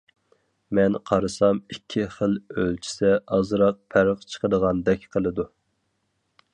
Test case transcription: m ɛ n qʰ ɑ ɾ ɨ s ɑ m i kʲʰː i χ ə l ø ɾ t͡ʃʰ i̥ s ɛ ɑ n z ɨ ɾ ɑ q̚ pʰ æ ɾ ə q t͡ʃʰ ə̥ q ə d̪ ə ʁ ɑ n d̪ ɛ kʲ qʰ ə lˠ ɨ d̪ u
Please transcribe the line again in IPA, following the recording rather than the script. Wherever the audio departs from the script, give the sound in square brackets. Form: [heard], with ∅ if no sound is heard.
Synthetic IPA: m ɛ n qʰ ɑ ɾ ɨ s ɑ m i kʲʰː i χ ə l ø [l] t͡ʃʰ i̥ s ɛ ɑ [∅] z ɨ ɾ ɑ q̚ pʰ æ ɾ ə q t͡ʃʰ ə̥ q ə d̪ ə ʁ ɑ n d̪ ɛ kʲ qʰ ə lˠ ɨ d̪ u